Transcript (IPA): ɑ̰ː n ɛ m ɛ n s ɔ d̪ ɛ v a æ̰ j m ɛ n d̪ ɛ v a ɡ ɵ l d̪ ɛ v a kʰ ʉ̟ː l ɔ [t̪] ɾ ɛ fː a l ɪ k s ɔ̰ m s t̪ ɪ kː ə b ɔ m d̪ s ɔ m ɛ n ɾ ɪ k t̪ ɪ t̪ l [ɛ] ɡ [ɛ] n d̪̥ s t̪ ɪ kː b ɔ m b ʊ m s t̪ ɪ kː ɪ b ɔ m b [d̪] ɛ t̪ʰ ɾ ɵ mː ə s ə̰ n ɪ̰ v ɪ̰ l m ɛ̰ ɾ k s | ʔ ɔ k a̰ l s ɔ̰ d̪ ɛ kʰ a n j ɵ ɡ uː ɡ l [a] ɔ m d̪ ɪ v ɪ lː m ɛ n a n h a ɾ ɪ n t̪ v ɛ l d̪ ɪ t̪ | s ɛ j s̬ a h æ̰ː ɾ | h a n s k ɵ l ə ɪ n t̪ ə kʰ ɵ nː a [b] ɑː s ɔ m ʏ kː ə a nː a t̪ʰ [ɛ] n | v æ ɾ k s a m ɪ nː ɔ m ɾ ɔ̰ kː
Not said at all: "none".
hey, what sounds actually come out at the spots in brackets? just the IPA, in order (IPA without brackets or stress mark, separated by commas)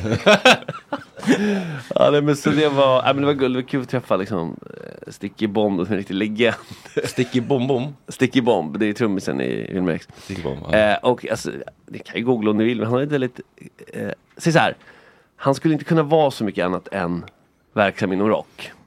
t̪ʰ, ɛ, ɛ, d̪, a, v, ɛ